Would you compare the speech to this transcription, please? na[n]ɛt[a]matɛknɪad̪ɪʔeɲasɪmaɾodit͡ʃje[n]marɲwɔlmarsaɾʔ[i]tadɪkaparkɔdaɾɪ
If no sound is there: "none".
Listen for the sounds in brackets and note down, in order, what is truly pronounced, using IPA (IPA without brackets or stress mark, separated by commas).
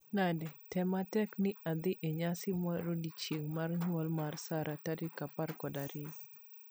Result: d, ɛ, ŋ, a